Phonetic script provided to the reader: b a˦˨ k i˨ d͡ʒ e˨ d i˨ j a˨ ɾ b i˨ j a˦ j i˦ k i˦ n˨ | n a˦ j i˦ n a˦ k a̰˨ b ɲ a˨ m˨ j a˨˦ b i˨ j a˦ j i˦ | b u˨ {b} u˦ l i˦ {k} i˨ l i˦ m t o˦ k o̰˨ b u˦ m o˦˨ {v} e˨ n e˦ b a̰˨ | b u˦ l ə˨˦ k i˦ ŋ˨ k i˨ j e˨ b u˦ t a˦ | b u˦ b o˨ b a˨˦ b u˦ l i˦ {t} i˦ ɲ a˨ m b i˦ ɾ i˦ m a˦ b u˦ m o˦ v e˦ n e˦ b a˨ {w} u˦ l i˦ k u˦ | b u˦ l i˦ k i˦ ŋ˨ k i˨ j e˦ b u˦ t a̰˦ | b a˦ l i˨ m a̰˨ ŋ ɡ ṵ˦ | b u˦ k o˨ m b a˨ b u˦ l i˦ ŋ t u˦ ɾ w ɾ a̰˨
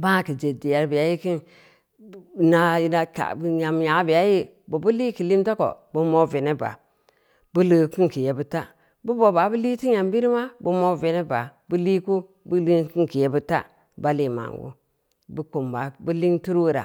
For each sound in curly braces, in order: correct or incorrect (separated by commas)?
correct, correct, correct, correct, incorrect